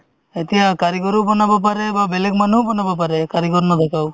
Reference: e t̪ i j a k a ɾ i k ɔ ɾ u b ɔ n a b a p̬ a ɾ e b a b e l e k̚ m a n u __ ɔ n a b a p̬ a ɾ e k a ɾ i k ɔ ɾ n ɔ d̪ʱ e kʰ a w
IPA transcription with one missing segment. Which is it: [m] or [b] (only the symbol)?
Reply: b